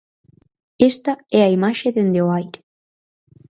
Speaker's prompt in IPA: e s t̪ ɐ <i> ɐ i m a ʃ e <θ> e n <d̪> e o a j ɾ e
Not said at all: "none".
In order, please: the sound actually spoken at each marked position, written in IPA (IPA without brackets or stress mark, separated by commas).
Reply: ɛ, ð, d̪